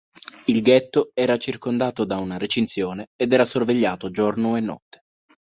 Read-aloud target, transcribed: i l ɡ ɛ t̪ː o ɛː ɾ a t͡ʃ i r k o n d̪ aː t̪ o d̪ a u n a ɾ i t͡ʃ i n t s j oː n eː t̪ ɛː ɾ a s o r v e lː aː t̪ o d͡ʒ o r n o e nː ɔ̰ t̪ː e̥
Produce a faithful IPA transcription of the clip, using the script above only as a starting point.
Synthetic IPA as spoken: i l ɡ ɛ t̪ː o ɛː ɾ a t͡ʃ i r k o n d̪ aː t̪ o d̪ a u n a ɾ e t͡ʃ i n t s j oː n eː d̪ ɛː ɾ a s o r v e ʎː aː t̪ o d͡ʒ o r n o e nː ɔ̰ t̪ː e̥